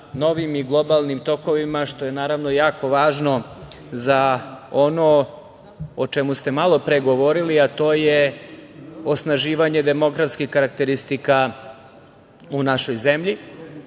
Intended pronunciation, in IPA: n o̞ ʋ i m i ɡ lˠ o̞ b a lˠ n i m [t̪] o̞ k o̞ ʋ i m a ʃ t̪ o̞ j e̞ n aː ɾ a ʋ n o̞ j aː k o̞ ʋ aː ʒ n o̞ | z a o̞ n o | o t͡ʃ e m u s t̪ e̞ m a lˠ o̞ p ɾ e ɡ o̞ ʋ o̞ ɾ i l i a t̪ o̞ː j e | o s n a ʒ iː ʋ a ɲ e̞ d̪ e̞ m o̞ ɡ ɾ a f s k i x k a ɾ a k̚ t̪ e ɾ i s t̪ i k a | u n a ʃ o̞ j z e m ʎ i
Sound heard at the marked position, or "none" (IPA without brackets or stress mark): t̪